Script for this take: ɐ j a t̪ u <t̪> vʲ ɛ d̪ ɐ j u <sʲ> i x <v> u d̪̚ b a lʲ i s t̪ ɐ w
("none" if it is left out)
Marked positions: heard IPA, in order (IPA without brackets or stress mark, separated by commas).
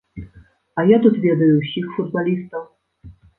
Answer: t̪, sʲ, f